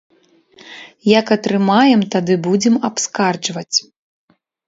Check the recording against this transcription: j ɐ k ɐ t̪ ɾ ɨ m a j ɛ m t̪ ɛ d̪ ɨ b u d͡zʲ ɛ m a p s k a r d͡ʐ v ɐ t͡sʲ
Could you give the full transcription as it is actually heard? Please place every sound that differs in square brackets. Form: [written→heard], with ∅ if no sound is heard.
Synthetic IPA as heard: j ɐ k ɐ t̪ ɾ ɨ m a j ɛ m t̪ [ɛ→a] d̪ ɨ b u d͡zʲ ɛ m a p s k a r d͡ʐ v ɐ t͡sʲ